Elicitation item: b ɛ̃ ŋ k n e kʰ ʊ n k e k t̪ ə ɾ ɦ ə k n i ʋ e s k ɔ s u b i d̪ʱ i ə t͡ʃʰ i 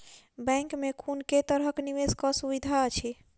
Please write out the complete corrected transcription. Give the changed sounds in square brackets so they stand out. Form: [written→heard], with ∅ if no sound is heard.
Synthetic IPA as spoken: b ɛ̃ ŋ k [n→m] e kʰ [ʊ→u] n k e [k→∅] t̪ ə ɾ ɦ ə k n i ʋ e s k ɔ s u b i d̪ʱ [i→a] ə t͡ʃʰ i